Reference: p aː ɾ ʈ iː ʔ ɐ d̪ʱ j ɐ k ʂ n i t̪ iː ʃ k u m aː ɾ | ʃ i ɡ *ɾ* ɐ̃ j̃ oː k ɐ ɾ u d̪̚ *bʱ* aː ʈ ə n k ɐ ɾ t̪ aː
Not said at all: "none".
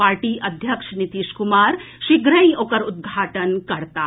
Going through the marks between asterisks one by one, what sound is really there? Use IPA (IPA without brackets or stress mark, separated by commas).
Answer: ɾ, ɡʱ